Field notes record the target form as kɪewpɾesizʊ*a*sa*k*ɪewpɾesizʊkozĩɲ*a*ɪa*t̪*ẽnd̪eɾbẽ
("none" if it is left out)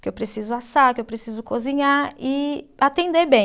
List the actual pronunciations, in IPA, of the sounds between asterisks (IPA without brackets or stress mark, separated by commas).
a, k, a, t̪